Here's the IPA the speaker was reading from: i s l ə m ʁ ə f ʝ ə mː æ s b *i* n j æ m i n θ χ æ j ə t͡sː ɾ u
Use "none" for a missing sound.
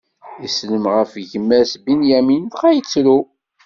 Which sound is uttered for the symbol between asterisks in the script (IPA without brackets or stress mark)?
i